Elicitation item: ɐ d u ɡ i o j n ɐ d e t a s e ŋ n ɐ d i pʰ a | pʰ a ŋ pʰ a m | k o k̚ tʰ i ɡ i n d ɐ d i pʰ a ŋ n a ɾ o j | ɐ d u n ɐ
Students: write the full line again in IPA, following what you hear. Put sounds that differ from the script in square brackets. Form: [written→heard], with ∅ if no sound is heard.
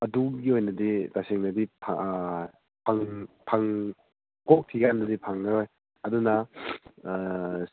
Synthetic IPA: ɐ d u ɡ i o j n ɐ d [e→i] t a s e ŋ n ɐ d i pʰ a | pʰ a ŋ pʰ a [m→ŋ] | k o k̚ tʰ i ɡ [i→a] n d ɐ d i pʰ a ŋ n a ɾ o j | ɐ d u n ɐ